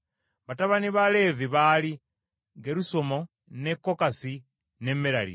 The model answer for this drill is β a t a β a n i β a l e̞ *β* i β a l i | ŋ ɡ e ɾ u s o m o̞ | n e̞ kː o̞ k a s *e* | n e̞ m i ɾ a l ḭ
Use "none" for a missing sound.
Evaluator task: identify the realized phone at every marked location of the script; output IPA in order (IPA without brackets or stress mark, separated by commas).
v, i